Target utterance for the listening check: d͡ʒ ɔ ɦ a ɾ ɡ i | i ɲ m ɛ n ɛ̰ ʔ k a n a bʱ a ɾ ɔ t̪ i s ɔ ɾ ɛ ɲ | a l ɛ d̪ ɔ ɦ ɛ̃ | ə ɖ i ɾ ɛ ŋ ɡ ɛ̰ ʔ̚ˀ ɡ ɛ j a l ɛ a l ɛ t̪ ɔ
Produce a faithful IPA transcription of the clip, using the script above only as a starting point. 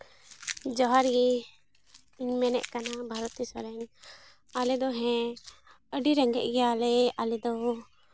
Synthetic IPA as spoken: d͡ʒ ɔ ɦ a ɾ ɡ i | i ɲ m ɛ n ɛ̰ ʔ k a n a bʱ a ɾ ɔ t̪ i s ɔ ɾ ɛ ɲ | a l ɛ d̪ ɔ ɦ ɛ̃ | ə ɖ i ɾ ɛ ŋ ɡ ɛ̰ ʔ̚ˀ ɡ ɛ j a l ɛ a l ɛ d̪ ɔ